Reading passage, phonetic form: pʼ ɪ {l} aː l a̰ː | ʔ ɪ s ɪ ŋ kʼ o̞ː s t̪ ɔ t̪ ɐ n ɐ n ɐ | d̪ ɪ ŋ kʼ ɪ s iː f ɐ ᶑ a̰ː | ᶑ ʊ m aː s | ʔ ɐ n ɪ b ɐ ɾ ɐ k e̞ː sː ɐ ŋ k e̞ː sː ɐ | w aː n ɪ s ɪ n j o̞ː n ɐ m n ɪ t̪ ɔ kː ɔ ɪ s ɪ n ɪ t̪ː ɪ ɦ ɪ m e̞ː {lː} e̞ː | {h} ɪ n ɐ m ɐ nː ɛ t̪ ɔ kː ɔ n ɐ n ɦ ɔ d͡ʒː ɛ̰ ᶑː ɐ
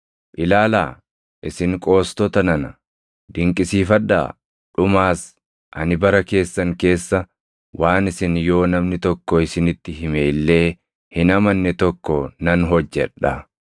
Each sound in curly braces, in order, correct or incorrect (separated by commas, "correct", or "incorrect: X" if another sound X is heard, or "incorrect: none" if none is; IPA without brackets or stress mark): correct, correct, correct